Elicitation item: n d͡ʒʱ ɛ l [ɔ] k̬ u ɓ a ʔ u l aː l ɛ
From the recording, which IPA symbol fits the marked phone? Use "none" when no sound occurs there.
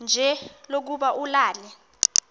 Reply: o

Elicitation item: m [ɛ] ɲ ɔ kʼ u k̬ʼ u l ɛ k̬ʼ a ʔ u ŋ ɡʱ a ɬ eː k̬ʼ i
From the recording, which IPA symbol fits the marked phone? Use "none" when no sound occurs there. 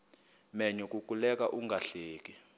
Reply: ɛ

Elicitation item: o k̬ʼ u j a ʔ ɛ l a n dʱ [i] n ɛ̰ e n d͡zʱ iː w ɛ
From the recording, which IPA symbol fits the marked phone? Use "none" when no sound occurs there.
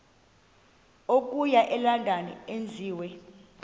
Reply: a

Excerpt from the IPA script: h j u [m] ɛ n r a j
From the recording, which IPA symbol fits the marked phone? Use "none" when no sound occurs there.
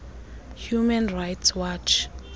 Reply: m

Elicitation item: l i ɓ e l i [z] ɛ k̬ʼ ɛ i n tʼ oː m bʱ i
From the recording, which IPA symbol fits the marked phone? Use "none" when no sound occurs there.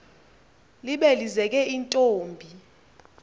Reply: z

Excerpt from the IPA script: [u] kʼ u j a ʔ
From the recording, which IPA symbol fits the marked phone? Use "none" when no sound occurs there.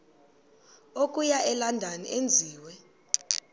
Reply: o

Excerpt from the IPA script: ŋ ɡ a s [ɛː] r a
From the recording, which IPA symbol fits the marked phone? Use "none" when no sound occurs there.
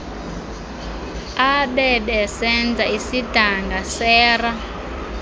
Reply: ɛː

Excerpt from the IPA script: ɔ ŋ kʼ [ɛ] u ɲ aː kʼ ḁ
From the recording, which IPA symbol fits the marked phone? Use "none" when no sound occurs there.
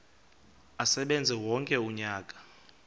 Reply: ɛ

